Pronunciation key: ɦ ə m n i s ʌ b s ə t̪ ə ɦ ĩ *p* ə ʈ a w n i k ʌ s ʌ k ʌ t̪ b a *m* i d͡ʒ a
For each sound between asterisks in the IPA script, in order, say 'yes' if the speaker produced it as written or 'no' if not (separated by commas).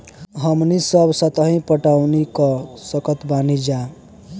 yes, no